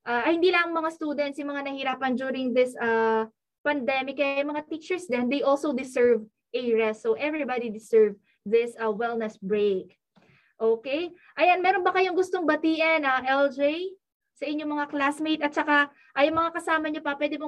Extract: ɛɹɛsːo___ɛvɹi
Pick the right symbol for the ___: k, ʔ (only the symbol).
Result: ʔ